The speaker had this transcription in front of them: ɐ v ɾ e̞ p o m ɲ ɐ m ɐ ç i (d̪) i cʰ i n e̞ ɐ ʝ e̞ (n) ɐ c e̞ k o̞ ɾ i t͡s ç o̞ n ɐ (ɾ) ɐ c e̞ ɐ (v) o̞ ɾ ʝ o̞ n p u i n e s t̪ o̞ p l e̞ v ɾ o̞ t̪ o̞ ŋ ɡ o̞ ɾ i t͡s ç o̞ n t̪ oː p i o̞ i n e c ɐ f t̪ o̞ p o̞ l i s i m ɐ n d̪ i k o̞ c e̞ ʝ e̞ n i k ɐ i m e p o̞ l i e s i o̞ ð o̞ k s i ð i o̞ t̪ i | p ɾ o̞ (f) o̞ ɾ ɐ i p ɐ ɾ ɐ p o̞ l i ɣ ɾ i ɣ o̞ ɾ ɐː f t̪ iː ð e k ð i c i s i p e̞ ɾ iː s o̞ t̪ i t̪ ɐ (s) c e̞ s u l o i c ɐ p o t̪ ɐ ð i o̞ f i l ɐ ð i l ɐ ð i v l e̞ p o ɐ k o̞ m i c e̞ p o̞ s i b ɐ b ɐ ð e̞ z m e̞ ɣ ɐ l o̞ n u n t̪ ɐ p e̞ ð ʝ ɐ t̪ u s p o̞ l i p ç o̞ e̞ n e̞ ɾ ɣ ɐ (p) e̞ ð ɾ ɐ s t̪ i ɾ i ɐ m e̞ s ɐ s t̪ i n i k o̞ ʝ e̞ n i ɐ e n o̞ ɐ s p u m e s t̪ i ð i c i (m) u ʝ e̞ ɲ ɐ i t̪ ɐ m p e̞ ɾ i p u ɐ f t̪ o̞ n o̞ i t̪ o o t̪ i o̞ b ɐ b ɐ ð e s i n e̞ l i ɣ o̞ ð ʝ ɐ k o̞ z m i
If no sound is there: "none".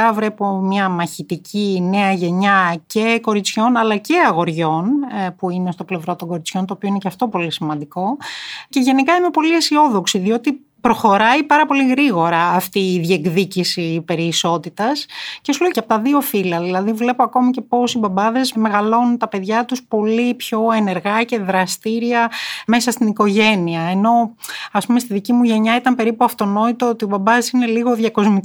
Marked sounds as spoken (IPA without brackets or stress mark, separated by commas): t̪, ɲ, l, ɣ, x, s, c, m